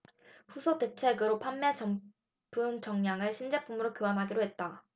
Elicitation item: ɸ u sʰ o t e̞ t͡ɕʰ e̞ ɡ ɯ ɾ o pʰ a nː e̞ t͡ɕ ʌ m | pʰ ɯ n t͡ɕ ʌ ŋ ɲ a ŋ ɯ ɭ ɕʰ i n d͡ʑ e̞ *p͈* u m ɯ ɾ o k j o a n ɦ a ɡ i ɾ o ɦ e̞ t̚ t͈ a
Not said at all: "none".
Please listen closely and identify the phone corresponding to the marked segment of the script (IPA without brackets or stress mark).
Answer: p͈